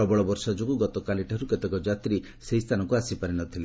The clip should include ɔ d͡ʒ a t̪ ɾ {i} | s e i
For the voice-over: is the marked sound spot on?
yes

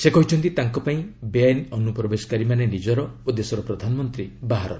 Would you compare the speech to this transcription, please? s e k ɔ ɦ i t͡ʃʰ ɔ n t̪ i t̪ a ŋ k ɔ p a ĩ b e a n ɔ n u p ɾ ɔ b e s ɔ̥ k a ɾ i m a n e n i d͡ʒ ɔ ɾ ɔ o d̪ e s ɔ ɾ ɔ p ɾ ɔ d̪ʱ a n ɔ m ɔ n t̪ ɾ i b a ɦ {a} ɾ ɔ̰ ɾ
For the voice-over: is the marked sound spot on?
yes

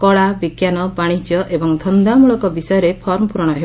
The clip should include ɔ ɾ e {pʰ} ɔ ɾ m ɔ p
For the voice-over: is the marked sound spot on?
yes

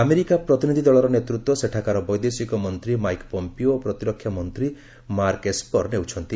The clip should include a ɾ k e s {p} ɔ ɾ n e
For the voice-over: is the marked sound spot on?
yes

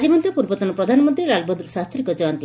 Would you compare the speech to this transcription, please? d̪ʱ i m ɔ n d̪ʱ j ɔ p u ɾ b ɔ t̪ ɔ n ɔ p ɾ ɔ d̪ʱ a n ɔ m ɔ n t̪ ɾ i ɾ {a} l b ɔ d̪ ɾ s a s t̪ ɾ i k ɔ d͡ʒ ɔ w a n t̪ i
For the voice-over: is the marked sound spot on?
yes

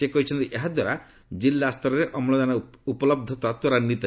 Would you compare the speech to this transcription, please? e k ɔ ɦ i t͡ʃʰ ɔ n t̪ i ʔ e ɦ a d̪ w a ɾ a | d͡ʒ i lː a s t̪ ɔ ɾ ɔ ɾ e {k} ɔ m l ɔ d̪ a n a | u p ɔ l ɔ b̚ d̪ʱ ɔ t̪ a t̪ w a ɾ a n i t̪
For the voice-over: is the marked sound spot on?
no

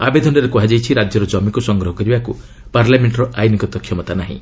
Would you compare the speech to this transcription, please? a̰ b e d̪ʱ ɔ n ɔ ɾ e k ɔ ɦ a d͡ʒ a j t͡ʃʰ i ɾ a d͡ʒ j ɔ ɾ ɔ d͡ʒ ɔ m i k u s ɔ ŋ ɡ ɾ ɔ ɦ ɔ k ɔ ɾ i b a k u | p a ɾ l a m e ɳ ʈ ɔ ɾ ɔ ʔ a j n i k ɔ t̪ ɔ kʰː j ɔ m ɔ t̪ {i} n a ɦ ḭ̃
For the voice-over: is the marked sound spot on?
no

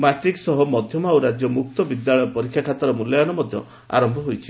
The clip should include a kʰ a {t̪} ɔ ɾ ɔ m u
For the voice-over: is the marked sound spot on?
yes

